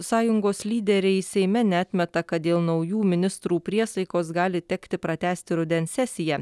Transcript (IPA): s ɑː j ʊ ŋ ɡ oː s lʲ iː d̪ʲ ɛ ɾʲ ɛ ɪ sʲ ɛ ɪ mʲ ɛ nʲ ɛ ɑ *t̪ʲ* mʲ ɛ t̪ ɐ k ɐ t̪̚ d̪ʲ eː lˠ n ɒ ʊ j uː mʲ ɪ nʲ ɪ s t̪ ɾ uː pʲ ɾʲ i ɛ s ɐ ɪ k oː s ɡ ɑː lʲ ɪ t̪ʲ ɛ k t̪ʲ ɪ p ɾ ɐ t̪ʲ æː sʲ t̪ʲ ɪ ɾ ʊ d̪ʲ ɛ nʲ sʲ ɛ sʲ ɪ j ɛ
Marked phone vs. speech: correct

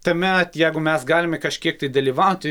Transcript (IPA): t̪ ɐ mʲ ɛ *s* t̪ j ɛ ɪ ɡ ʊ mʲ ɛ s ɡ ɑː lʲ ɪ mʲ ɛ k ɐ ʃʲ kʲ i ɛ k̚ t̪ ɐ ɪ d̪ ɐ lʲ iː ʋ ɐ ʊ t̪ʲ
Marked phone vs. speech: incorrect: none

